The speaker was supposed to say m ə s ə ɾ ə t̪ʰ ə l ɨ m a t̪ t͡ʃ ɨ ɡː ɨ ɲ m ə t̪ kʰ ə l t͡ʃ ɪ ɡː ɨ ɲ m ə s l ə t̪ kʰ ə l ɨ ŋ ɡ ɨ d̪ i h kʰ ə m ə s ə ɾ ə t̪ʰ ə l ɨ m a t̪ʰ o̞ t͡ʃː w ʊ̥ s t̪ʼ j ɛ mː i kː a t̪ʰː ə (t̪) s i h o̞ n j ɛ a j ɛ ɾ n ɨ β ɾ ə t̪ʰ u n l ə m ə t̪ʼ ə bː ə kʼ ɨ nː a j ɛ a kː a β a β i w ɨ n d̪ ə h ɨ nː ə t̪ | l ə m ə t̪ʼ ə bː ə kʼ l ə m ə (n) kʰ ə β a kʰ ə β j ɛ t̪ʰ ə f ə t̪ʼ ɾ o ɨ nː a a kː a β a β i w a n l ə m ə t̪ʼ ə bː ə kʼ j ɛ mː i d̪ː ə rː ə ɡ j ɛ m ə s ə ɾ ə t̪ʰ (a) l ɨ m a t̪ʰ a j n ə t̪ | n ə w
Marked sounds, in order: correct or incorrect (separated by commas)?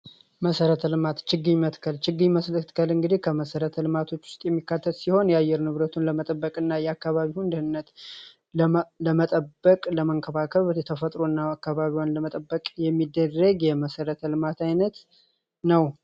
correct, incorrect, incorrect